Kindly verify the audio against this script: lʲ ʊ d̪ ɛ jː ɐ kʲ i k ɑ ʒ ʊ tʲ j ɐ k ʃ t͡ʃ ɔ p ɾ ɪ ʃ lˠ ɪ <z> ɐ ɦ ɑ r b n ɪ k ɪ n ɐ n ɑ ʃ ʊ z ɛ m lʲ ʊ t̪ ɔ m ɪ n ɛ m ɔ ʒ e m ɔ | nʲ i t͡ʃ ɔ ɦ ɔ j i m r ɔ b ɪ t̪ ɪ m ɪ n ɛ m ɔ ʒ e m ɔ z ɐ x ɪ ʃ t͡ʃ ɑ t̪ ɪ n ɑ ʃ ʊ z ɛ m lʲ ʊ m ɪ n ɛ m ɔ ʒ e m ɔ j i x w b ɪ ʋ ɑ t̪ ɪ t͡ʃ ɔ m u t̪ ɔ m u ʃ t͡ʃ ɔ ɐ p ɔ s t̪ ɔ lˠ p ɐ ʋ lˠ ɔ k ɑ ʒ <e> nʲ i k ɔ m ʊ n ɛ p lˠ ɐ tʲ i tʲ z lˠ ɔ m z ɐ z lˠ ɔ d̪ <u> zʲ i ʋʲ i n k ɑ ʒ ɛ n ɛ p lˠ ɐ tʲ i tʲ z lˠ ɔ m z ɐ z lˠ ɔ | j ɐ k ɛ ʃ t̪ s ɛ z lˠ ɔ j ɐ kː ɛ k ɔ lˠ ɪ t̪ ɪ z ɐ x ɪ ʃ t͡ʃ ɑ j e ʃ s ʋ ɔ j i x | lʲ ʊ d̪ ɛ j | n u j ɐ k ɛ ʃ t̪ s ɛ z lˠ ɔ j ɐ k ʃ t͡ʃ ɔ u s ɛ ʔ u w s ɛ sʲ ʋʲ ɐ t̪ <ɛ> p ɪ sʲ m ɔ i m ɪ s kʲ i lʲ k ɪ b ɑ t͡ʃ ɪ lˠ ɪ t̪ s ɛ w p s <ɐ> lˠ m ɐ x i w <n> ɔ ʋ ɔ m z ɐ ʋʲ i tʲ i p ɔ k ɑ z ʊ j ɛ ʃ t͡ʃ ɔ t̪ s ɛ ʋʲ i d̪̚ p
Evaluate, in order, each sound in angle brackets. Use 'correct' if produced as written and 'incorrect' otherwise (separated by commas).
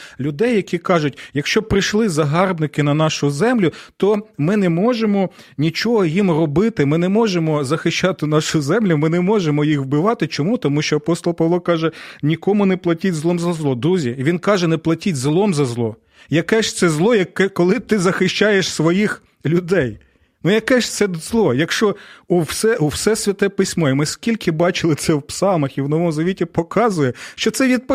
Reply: correct, incorrect, correct, correct, incorrect, correct